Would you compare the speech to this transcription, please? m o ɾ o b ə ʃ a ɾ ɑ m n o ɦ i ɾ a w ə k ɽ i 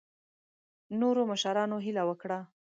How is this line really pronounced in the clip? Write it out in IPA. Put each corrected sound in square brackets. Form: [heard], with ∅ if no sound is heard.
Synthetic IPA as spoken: [n] o ɾ o [m] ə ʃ a ɾ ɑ [∅] n o ɦ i [l] a w ə k ɽ [a]